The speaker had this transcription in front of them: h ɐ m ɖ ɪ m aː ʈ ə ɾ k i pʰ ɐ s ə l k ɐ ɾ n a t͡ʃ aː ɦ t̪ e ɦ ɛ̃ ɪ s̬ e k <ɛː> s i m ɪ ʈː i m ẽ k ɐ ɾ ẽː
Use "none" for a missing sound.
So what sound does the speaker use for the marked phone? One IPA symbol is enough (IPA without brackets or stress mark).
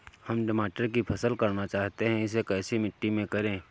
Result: ɛː